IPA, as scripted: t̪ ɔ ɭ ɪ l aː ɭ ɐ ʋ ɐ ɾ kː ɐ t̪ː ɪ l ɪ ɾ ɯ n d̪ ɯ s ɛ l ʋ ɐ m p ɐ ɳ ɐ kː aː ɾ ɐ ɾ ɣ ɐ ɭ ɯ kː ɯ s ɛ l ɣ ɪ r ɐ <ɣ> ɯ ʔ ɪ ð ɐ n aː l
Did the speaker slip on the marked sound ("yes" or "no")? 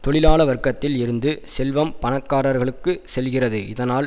yes